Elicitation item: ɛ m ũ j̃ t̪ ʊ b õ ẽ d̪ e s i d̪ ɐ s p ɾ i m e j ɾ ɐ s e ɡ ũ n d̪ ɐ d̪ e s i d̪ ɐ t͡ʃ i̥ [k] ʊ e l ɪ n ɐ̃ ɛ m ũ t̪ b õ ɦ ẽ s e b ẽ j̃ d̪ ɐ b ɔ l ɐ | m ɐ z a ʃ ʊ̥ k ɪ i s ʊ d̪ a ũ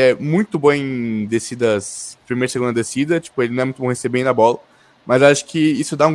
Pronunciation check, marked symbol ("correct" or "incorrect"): incorrect